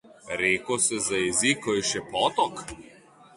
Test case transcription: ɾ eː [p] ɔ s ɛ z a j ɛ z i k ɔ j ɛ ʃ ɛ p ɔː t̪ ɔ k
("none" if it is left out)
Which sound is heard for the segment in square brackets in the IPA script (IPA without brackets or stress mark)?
k